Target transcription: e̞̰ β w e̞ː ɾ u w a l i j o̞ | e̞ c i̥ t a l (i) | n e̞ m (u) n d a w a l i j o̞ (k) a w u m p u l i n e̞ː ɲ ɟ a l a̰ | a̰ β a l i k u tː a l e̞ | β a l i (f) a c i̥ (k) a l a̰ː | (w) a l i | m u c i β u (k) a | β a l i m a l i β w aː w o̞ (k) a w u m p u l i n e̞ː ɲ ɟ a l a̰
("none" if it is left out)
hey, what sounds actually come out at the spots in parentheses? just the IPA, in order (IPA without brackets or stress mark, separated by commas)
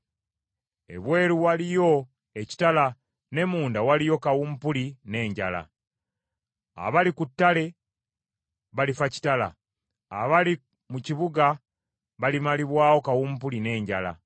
a, uː, k, f, t, β, ɡ, k